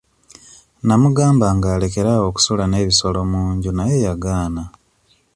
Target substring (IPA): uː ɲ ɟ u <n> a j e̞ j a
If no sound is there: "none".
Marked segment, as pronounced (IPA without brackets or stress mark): n